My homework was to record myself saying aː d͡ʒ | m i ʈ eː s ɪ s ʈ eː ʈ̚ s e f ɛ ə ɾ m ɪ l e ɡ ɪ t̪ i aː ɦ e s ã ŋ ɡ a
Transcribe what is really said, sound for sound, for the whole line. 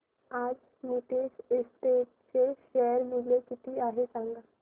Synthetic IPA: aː d͡ʒ | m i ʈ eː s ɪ s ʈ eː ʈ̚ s e ʃ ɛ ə ɾ m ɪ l e k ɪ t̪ i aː ɦ e s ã ŋ ɡ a